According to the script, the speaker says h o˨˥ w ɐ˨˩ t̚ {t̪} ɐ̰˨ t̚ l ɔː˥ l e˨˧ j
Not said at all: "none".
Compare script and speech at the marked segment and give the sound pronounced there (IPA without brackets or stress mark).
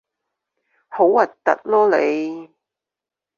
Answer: t̪